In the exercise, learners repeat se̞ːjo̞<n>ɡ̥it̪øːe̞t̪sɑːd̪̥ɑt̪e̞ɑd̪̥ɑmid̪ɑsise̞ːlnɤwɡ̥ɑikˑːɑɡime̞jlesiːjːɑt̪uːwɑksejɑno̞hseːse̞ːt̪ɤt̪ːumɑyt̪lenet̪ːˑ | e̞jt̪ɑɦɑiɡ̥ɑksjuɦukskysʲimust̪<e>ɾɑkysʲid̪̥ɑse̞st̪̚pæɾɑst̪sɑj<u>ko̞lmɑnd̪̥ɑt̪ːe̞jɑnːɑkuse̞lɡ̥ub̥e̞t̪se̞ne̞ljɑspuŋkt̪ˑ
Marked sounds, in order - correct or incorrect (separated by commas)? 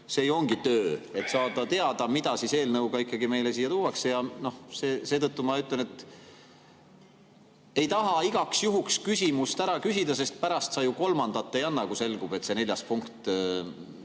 incorrect, incorrect, correct